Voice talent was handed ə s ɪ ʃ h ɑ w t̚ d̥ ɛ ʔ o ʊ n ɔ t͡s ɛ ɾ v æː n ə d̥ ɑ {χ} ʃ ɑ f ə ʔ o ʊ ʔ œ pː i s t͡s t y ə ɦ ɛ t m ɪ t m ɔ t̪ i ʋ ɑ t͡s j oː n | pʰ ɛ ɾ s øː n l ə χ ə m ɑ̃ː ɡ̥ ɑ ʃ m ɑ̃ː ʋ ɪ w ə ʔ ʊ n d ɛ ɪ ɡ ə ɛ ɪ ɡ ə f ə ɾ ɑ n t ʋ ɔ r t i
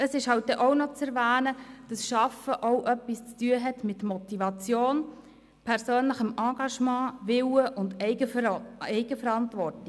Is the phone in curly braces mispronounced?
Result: yes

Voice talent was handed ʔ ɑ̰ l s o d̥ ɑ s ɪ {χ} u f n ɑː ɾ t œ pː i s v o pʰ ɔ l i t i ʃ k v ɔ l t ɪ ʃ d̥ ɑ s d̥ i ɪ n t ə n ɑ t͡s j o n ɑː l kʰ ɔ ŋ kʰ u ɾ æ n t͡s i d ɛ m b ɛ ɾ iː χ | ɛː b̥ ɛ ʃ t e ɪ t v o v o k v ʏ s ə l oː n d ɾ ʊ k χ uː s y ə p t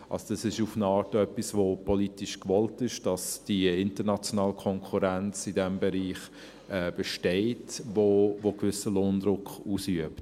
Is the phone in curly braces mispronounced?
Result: yes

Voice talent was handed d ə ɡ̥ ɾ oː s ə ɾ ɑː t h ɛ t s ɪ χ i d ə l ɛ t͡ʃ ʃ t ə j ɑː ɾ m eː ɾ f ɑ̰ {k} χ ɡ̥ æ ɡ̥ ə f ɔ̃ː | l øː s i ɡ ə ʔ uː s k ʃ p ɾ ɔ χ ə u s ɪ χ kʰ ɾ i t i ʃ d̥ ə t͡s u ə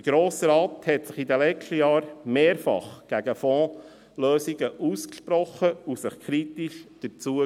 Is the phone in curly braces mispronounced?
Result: yes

